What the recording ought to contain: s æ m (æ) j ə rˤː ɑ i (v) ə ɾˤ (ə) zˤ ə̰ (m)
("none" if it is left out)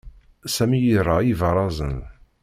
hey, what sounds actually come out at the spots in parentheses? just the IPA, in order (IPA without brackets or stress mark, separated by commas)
i, v, ɑ, n